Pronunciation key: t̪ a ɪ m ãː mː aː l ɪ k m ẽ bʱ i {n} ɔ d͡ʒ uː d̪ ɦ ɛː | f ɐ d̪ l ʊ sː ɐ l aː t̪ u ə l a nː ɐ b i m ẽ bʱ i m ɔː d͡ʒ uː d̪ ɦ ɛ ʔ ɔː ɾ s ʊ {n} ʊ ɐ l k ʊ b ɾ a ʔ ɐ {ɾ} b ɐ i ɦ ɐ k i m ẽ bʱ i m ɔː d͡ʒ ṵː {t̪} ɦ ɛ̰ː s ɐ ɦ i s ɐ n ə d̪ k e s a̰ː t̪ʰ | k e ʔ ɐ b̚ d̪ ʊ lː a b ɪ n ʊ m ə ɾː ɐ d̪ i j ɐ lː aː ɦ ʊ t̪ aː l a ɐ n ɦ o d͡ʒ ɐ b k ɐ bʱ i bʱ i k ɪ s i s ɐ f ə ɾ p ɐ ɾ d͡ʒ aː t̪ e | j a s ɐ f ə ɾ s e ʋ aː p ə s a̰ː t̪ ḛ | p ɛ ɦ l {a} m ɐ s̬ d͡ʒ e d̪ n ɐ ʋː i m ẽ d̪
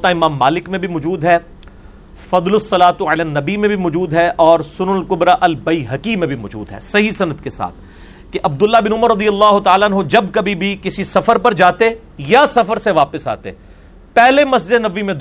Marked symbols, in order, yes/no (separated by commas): no, yes, no, no, no